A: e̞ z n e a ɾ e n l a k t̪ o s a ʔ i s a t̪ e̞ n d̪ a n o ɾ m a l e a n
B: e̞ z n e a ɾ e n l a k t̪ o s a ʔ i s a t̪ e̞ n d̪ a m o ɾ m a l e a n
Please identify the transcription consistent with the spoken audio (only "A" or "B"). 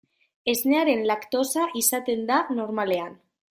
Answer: A